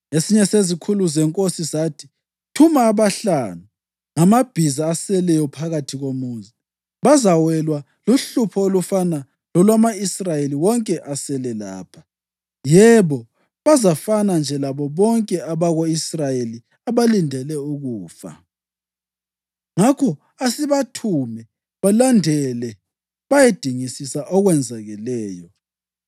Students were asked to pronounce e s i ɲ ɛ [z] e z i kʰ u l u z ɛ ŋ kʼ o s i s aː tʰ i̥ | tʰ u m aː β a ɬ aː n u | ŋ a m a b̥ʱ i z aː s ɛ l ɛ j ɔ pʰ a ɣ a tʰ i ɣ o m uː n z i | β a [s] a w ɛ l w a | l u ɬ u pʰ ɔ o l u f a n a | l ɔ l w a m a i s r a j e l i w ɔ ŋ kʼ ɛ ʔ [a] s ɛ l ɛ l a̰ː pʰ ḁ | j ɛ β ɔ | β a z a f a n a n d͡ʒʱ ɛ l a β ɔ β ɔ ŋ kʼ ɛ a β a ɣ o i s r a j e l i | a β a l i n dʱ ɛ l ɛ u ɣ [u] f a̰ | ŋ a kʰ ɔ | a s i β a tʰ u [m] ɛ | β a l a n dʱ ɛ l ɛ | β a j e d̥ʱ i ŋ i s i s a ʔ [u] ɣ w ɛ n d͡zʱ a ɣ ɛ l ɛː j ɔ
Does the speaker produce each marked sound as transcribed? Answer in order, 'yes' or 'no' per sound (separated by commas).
no, no, yes, no, yes, no